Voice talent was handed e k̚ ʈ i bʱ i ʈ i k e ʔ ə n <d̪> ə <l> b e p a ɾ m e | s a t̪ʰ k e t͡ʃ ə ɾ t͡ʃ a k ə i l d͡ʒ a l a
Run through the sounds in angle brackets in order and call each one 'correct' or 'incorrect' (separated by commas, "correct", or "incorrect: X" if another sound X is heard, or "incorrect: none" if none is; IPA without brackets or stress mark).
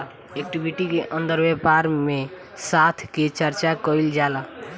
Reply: correct, incorrect: ɾ